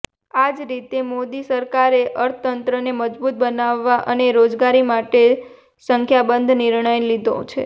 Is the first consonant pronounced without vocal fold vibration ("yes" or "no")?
no